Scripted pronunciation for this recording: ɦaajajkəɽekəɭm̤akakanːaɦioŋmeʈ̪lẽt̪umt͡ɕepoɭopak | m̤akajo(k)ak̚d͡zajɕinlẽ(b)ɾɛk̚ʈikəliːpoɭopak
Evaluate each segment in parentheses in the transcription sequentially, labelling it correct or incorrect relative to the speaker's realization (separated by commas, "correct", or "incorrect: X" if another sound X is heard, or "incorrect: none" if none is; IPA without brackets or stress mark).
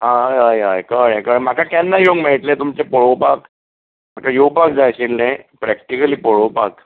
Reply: incorrect: p, incorrect: p